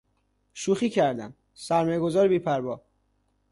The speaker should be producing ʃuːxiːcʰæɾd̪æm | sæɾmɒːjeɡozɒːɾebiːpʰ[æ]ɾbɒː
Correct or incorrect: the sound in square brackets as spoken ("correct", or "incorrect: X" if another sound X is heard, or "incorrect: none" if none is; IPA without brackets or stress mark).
correct